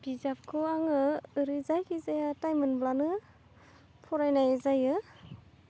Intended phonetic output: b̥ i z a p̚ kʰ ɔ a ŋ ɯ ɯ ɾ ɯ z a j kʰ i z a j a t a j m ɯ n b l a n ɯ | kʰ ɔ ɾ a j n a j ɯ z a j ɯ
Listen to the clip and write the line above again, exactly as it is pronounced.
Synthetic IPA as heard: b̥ i z a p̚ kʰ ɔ a ŋ ɯ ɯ ɾ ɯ z a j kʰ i z a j a t a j m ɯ n b l a n ɯ | pʰ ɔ ɾ a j n a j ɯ z a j ɯ